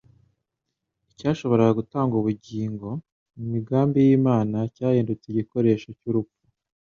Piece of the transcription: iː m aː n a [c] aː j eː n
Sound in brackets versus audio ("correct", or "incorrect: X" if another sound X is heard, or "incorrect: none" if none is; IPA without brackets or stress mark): correct